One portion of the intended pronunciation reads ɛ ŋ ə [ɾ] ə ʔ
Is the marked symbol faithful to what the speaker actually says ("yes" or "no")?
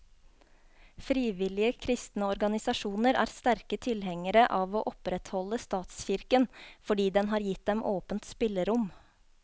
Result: yes